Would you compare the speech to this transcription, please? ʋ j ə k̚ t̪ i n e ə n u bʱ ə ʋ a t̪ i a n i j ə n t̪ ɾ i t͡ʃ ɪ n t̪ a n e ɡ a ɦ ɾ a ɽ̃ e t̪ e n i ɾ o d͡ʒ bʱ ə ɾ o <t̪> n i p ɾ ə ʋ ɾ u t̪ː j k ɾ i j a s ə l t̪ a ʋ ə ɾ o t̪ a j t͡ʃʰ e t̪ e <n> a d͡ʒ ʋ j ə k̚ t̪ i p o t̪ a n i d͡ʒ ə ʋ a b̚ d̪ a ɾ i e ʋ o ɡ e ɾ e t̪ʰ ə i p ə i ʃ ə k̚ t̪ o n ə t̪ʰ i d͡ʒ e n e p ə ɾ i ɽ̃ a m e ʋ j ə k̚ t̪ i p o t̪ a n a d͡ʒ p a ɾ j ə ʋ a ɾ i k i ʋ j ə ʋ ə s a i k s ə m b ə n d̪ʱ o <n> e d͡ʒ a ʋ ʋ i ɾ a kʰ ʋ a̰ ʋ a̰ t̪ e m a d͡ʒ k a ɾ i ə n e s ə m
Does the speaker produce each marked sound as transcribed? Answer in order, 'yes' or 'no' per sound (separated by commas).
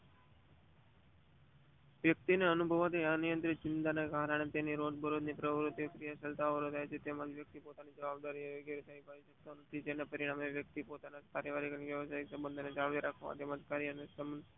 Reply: no, no, yes